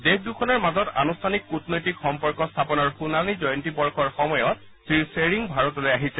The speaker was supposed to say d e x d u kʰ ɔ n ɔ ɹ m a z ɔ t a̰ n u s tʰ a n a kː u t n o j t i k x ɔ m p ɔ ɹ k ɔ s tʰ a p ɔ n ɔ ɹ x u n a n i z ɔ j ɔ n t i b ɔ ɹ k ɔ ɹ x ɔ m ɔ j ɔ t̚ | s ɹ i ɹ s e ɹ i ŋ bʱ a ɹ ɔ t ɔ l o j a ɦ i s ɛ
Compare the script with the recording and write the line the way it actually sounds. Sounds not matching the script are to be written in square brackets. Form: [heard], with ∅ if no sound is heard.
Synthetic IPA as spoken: d e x d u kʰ ɔ n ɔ ɹ m a z ɔ t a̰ n u s tʰ a n [i] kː u t n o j t i k x ɔ m p ɔ ɹ k ɔ s tʰ a p ɔ n ɔ ɹ x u n a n i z ɔ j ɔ n t i b ɔ ɹ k ɔ ɹ x ɔ m ɔ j ɔ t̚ | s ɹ i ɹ s e ɹ i ŋ bʱ a ɹ ɔ t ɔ l o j a ɦ i s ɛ